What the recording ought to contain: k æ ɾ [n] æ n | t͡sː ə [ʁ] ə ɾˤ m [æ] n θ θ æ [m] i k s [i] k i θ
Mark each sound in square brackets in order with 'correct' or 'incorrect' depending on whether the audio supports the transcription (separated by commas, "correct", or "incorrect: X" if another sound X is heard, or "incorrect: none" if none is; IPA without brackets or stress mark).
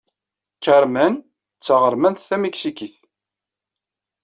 incorrect: m, correct, correct, correct, correct